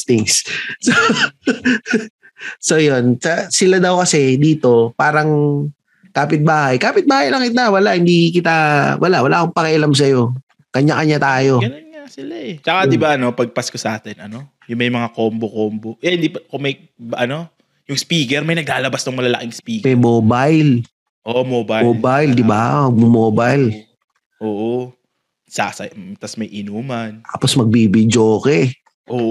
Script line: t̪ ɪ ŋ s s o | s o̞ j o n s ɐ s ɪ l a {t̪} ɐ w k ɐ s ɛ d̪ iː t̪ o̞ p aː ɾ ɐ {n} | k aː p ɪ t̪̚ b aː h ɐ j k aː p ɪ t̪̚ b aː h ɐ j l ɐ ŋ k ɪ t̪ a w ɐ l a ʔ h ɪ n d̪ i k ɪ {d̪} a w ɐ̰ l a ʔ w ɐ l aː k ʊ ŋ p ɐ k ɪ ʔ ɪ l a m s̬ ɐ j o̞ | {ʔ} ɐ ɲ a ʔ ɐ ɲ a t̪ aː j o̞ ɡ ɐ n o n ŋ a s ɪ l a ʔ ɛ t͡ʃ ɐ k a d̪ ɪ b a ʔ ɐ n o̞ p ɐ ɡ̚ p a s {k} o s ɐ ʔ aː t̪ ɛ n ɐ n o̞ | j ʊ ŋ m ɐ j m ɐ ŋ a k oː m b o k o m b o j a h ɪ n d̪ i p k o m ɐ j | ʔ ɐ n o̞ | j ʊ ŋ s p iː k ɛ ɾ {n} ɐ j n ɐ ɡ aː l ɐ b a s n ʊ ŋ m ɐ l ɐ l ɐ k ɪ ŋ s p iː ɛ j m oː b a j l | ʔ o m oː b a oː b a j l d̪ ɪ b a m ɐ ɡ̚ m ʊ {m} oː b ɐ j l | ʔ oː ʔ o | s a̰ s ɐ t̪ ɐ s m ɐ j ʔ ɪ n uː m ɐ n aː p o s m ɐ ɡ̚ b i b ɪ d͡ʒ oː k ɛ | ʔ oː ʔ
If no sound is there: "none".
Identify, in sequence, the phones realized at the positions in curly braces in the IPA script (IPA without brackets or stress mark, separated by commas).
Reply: d̪, ŋ, t̪, k, k, m, m